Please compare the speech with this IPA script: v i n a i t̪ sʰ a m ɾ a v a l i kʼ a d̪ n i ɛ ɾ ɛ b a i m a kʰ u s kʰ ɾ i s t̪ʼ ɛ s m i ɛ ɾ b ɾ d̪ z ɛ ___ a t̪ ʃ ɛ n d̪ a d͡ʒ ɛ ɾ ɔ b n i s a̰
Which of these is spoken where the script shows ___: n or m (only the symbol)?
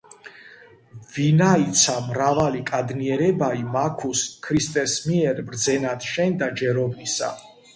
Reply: n